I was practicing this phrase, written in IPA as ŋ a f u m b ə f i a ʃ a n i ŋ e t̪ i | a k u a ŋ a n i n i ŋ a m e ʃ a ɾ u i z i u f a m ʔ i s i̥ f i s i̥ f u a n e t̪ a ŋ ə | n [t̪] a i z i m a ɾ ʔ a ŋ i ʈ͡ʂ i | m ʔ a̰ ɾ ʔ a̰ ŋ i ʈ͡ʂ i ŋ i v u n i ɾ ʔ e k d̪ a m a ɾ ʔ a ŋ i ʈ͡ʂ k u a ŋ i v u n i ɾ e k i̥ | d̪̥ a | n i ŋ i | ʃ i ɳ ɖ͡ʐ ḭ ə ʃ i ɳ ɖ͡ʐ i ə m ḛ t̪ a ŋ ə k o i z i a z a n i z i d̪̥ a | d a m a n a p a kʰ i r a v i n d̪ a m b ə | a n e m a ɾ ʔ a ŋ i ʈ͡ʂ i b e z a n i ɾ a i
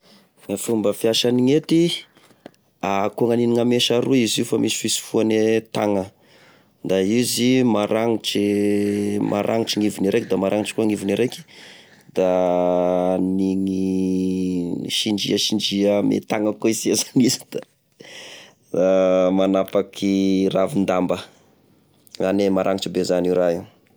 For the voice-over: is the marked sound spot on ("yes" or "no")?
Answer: no